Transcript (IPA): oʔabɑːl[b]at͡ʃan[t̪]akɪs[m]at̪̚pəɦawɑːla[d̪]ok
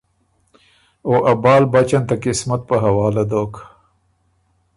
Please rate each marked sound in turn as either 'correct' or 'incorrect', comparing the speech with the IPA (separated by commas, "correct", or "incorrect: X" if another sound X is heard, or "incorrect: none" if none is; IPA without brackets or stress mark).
correct, correct, correct, correct